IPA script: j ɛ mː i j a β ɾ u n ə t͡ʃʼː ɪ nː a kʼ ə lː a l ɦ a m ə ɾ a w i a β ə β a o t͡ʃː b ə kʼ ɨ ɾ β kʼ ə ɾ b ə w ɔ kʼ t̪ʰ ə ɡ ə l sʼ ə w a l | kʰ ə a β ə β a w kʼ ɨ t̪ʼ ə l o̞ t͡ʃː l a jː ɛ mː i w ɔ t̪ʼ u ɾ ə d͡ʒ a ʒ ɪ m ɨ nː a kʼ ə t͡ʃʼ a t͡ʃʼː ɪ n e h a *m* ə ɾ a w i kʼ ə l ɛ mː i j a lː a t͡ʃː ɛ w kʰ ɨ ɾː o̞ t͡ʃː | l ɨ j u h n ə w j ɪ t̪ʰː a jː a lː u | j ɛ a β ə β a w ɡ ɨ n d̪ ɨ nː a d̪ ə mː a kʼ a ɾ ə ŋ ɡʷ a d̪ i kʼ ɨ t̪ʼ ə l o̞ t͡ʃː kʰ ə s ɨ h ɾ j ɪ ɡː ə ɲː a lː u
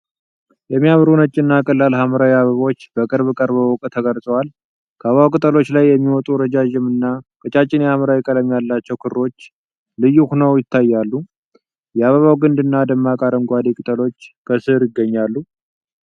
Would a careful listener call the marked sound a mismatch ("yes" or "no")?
no